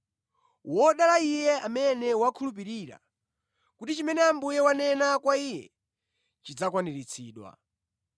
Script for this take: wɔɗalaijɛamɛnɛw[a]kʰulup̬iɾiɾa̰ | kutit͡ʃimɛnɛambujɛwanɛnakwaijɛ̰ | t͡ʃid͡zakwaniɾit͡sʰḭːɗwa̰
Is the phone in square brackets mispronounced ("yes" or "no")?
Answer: no